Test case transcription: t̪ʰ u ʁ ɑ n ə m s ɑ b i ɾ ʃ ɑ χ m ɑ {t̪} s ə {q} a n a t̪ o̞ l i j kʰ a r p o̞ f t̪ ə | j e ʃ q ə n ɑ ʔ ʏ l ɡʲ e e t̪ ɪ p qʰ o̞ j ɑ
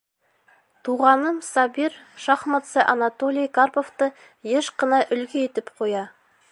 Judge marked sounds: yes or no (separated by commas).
yes, no